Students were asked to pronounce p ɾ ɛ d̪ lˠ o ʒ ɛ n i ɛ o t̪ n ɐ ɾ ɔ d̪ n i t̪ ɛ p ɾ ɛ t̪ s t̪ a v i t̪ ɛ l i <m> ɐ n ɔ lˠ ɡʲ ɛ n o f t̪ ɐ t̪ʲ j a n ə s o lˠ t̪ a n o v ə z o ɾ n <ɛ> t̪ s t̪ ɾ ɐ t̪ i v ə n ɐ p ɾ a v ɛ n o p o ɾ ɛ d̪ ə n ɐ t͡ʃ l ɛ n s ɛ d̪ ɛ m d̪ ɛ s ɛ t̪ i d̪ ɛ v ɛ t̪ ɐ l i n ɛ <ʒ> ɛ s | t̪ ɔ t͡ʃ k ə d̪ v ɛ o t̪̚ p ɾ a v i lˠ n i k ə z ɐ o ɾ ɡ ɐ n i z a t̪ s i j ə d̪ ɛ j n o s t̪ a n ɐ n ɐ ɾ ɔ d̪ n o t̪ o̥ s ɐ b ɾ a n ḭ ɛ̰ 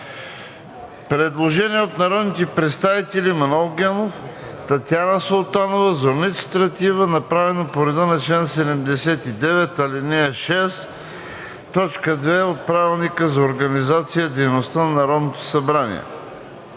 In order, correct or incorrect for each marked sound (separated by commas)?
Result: correct, incorrect, incorrect